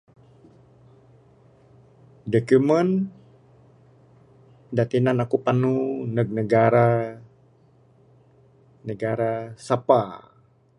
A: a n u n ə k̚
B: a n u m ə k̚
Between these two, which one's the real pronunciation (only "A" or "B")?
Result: A